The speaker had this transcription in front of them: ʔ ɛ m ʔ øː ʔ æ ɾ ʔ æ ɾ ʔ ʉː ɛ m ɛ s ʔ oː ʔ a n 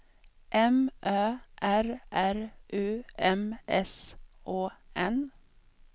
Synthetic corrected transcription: ʔ ɛ m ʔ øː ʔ æ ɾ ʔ æ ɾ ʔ ʉː ɛ m ɛ s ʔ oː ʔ ɛ n